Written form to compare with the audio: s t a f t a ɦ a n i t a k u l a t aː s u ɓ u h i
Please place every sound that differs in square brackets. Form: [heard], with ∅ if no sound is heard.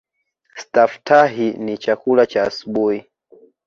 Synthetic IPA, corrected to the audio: s t a f t a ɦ [i] n i [t͡ʃ] a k u l a [t͡ʃ] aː s u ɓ u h i